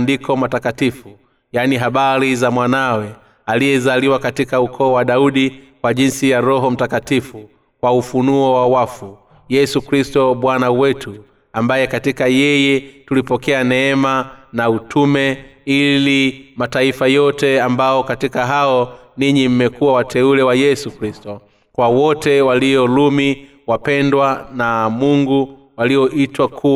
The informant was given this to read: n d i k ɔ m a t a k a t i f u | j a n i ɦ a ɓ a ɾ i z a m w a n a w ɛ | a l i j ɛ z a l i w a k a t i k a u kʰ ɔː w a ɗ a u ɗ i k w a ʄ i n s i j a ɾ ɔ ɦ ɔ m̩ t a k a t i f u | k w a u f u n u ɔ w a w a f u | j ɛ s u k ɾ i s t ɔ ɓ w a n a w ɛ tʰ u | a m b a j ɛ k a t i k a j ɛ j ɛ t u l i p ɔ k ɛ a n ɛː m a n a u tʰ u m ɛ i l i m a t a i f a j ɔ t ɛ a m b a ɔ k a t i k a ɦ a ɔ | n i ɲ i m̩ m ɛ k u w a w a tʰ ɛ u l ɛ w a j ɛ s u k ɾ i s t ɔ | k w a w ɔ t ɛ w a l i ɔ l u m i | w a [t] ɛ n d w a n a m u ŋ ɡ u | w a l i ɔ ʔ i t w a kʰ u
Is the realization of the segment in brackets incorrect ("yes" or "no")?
yes